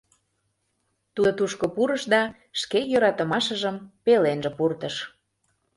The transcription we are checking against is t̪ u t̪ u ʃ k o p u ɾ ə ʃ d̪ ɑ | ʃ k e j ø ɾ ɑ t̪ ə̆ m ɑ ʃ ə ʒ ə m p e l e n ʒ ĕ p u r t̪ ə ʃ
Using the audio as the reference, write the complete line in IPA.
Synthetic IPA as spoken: t̪ u t̪ u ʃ k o p u ɾ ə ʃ d̪ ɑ | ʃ k e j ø ɾ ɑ t̪ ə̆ m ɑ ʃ ə ʒ ə m p e l e n ʒ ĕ p u r t̪ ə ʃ

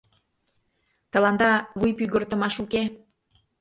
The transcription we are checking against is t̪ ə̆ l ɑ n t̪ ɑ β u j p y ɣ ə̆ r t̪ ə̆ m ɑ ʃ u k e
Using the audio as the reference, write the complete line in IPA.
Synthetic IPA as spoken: t̪ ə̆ l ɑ n d̪ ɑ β u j p y ɣ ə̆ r t̪ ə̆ m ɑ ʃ u k e

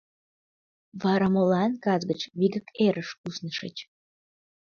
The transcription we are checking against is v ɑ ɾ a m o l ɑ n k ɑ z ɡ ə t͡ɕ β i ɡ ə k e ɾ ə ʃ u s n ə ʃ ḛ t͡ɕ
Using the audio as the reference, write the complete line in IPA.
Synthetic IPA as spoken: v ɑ ɾ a m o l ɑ n k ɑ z ɡ ə t͡ɕ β i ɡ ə k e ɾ ə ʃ u s n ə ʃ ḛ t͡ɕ

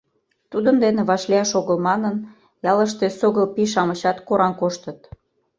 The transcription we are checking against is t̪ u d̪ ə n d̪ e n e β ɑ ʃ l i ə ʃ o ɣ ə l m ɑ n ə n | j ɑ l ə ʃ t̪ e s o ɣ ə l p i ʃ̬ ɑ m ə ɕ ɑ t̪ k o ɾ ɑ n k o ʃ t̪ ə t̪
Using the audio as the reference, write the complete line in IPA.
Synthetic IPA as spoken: t̪ u d̪ ə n d̪ e n e β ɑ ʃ l i ɑ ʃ o ɣ ə l m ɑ n ə n | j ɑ l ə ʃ t̪ e s o ɣ ə l p i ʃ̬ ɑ m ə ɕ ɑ t̪ k o ɾ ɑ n k o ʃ t̪ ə t̪

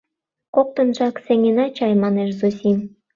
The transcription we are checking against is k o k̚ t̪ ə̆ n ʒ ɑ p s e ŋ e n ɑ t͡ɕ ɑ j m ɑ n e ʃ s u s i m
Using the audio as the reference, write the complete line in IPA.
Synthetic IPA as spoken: k o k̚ t̪ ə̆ n ʒ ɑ k s e ŋ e n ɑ t͡ɕ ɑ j m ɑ n e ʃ z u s i m

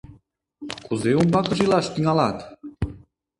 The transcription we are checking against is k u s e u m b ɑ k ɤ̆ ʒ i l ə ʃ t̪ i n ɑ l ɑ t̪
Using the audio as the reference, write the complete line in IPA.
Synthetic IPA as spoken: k u z e u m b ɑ k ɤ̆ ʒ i l ɑ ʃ t̪ i ŋ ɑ l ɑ t̪

